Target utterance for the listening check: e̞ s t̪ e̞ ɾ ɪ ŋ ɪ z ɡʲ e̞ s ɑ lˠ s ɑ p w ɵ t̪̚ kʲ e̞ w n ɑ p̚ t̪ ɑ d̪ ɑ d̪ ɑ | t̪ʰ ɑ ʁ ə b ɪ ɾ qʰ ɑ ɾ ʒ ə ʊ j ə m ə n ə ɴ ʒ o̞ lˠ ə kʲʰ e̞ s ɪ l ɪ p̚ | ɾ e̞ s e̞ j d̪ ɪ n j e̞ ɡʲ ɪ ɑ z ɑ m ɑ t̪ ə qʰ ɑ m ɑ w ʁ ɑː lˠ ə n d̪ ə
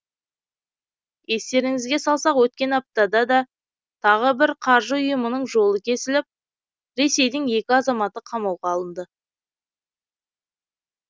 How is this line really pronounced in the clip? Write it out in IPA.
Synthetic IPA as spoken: e̞ s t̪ e̞ ɾ ɪ ŋ ɪ z ɡʲ e̞ s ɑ lˠ s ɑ q w ɵ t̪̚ kʲ e̞ n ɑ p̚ t̪ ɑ d̪ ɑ d̪ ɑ | t̪ʰ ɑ ʁ ə b ɪ ɾ qʰ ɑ ɾ ʒ ə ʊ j ə m ə n ə ɴ ʒ o̞ lˠ ə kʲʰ e̞ s ɪ l ɪ p̚ | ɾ e̞ s e̞ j d̪ ɪ ŋ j e̞ kʲ ɪ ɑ z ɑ m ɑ t̪ ə qʰ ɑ m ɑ w ʁ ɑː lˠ ə n d̪ ə